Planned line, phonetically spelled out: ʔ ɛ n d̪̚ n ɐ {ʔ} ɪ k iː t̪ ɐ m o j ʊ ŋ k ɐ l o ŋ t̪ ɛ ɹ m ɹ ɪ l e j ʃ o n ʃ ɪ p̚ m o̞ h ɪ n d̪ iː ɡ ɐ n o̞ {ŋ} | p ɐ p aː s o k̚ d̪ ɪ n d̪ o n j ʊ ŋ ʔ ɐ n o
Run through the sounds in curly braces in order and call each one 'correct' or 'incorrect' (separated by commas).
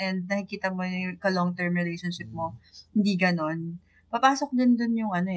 incorrect, incorrect